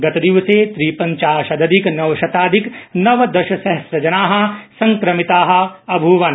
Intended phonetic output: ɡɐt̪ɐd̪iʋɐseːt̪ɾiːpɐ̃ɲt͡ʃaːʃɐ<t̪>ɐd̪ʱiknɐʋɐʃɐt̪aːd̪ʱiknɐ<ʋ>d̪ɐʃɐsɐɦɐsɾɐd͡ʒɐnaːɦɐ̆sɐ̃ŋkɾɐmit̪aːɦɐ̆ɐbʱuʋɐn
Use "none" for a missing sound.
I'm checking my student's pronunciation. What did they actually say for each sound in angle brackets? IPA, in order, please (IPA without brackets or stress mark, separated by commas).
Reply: d̪, ʋ